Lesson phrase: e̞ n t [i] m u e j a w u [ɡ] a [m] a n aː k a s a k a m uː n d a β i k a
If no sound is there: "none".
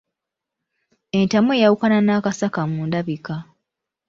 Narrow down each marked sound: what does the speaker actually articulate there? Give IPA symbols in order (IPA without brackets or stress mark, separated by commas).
a, k, n